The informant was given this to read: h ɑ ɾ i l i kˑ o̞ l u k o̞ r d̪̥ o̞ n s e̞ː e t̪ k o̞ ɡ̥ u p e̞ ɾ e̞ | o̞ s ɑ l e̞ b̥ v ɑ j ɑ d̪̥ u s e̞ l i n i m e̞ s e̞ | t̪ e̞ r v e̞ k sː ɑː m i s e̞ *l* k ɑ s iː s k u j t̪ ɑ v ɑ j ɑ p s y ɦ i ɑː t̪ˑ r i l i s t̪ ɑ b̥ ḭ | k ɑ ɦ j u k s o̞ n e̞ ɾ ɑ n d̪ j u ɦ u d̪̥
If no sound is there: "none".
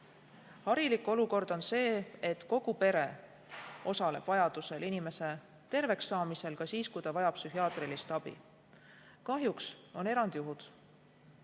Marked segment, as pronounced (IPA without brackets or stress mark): l